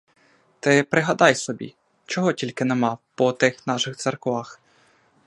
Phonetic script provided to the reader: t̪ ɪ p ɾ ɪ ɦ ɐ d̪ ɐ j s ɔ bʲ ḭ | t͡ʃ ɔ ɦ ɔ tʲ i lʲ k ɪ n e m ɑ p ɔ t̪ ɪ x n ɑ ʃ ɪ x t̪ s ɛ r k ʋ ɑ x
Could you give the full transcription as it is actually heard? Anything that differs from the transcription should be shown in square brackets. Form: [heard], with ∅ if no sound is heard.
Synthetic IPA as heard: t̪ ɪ p ɾ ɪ ɦ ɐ d̪ [ɑ] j s ɔ bʲ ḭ | t͡ʃ ɔ ɦ ɔ tʲ i lʲ k ɪ n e m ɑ p ɔ t̪ ɪ x n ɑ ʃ ɪ x t̪ s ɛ r k ʋ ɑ x